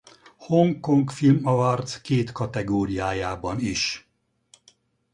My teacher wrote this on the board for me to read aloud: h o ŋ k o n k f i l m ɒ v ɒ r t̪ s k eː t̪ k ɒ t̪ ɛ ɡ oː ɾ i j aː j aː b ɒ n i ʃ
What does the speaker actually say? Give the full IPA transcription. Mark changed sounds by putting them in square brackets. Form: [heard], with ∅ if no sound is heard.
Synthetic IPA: h o ŋ k o [ŋ] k f i l m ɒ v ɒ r t̪ s k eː t̪ k ɒ t̪ ɛ ɡ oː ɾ i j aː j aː b ɒ n i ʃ